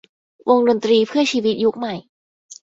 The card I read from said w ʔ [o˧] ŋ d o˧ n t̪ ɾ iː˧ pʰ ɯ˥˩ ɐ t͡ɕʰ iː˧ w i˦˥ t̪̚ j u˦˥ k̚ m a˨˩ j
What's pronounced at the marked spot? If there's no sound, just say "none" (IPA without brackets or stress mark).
o˧